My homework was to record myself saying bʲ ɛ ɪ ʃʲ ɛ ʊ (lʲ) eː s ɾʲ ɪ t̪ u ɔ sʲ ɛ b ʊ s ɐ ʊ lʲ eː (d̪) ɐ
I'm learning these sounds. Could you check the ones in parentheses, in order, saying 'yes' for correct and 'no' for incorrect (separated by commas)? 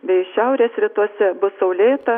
no, no